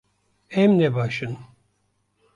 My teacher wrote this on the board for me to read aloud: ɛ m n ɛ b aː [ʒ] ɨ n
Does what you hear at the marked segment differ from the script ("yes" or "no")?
yes